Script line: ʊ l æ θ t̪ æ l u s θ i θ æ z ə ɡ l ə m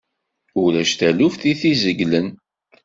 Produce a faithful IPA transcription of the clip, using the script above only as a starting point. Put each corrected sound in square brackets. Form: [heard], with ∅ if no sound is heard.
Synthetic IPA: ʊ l æ [ʃ] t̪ æ l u [f] θ i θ [i] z ə ɡ l ə [n]